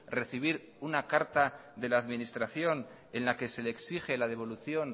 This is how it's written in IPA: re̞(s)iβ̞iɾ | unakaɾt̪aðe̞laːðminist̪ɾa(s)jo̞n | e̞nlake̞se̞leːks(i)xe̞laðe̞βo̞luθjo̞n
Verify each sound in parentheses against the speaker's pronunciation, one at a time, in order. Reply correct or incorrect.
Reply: incorrect, incorrect, correct

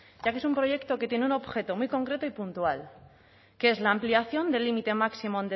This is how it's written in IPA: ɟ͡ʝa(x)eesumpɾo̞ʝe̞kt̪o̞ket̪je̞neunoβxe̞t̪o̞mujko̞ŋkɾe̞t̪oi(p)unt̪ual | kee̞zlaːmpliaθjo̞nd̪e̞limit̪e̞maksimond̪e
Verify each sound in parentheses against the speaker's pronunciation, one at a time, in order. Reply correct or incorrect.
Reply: incorrect, correct

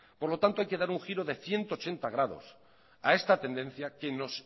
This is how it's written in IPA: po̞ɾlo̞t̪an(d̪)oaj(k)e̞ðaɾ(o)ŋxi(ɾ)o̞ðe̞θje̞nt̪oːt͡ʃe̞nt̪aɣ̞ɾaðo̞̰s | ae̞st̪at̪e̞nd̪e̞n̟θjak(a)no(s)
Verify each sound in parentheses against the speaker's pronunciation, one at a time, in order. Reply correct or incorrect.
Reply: incorrect, correct, incorrect, correct, incorrect, correct

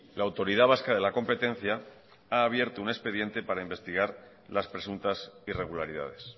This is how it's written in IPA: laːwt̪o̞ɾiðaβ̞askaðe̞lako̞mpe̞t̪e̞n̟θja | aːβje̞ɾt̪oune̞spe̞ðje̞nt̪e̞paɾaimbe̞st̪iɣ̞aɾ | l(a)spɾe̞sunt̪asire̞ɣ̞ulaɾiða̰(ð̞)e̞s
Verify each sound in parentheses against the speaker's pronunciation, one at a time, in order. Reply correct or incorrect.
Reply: correct, correct

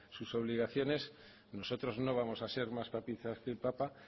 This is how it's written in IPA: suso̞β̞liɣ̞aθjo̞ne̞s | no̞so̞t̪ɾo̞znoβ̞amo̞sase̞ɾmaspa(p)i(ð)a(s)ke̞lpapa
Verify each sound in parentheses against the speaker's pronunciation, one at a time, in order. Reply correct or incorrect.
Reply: correct, incorrect, correct

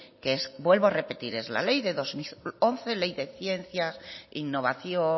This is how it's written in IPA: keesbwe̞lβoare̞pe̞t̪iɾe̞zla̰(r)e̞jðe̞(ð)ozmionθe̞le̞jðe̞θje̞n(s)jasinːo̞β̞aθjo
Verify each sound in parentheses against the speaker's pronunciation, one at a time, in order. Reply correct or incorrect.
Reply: incorrect, correct, incorrect

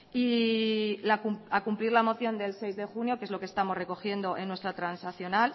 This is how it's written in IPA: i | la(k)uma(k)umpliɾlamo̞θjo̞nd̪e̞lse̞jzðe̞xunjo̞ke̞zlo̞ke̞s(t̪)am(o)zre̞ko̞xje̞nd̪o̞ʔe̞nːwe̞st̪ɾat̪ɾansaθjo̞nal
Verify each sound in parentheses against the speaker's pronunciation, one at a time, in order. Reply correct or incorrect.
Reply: correct, correct, correct, correct

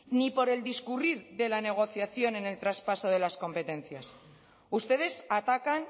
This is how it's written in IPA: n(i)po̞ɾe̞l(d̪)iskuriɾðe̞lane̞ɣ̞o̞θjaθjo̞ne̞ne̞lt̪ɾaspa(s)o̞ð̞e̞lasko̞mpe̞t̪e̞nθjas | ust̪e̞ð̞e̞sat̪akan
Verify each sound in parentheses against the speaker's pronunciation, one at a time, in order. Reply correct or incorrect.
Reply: correct, correct, correct

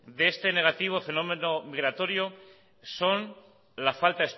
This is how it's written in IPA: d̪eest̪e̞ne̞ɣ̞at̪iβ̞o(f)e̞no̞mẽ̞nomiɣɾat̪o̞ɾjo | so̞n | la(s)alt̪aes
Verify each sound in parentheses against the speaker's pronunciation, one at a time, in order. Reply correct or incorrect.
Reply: correct, incorrect

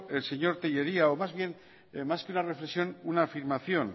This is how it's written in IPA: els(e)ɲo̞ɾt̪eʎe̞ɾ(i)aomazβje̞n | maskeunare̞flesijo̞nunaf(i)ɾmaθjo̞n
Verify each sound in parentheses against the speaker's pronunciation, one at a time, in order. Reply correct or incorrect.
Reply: correct, correct, correct

